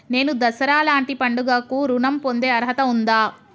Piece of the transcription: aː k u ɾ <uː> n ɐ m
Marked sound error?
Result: yes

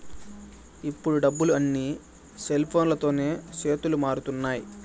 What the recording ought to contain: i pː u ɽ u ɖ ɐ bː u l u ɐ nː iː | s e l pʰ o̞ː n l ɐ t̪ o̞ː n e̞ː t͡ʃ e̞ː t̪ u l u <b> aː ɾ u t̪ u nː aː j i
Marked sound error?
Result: yes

